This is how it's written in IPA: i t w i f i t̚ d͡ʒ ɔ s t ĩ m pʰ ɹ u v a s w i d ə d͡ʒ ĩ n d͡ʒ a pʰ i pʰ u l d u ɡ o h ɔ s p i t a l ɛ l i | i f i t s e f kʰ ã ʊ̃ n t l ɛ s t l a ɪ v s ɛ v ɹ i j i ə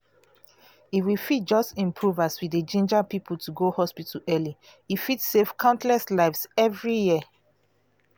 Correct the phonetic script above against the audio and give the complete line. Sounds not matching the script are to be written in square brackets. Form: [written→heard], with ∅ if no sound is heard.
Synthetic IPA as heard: i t w i f i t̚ d͡ʒ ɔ s t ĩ m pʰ ɹ u v a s w i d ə d͡ʒ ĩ n d͡ʒ a [pʰ→p] i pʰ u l [d→t] u ɡ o h ɔ s p i t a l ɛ l i | i f i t s e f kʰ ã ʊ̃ n t l ɛ s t l a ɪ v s ɛ v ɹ i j i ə